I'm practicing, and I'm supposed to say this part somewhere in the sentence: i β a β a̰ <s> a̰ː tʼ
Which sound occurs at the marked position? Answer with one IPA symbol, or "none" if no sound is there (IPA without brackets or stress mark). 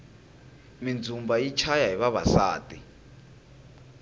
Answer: s